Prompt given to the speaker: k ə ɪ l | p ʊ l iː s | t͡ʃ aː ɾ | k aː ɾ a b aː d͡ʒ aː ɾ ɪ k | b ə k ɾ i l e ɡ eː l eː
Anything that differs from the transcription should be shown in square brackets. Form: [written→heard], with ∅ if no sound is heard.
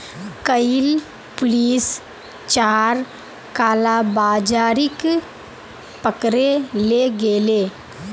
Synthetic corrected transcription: k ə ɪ l | p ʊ l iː s | t͡ʃ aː ɾ | k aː [ɾ→l] a b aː d͡ʒ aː ɾ ɪ k | [b→p] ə k ɾ [i→e] l e ɡ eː l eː

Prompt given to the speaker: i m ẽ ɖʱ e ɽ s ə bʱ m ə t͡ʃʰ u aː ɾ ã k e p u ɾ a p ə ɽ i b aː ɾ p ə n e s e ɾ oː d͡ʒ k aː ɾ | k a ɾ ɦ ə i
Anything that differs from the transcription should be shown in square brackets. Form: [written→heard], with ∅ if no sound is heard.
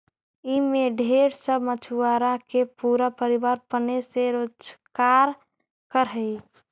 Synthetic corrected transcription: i m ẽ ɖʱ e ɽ s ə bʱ m ə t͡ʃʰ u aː ɾ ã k e p u ɾ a p ə [ɽ→ɾ] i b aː ɾ p ə n e s e ɾ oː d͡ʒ k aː ɾ | k [a→ə] ɾ ɦ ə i

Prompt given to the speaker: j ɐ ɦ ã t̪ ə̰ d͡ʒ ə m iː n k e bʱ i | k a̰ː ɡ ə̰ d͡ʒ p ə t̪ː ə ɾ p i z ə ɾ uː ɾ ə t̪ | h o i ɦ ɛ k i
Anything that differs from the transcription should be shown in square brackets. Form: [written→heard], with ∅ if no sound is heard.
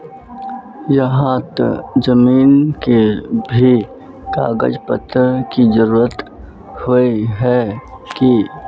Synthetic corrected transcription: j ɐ ɦ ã t̪ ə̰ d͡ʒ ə m iː n k e bʱ i | k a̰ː ɡ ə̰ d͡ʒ p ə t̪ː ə ɾ [p→k] i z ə ɾ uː ɾ ə t̪ | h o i ɦ ɛ k i

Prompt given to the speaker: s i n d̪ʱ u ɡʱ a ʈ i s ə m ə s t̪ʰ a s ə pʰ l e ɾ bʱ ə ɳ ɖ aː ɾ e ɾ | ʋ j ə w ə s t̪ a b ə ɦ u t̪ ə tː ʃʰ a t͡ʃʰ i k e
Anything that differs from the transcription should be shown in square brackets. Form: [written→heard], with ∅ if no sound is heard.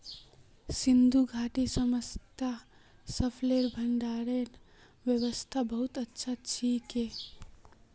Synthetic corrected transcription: s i n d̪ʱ u ɡʱ a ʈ i s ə m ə s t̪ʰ a s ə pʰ l e ɾ bʱ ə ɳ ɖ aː ɾ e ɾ | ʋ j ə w ə s [t̪→t̪ʰ] a b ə ɦ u t̪ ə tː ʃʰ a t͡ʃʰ i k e

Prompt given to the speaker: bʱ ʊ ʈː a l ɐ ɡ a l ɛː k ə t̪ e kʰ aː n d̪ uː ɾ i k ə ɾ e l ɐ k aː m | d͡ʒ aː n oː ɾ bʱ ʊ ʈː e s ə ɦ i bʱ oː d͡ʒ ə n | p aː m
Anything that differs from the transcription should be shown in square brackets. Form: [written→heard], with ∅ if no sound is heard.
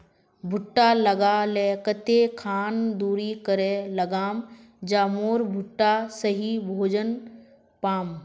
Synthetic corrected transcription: bʱ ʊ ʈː a l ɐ ɡ a l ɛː k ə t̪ e kʰ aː n d̪ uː ɾ i k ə ɾ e l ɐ [k→ɡ] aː m | d͡ʒ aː [n→m] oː ɾ bʱ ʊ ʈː [e→a] s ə ɦ i bʱ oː d͡ʒ ə n | p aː m

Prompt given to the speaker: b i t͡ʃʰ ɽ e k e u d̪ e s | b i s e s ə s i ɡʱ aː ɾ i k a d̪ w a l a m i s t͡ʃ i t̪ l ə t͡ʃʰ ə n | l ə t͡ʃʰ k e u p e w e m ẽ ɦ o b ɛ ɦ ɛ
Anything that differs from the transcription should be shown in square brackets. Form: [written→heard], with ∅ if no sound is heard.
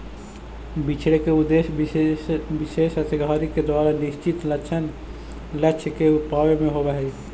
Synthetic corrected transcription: b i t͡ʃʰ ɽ e k e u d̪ e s | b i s e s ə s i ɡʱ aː ɾ i k [a→e] d̪ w a [l→ɾ] a [m→n] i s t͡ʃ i t̪ l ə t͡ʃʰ ə n | l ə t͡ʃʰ k e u p [e→a] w e m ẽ ɦ o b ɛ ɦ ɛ

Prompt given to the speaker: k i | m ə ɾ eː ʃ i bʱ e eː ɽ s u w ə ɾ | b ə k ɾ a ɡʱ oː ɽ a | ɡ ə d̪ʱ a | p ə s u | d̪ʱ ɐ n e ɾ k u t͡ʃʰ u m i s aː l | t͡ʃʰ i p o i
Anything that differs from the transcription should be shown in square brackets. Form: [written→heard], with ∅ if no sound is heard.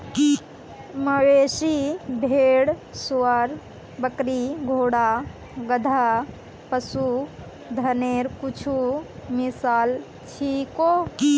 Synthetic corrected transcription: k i | m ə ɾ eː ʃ i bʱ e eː ɽ s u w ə ɾ | b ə k ɾ [a→i] ɡʱ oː ɽ a | ɡ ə d̪ʱ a | p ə s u | d̪ʱ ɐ n e ɾ k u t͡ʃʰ u m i s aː l | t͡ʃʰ i [p→k] o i

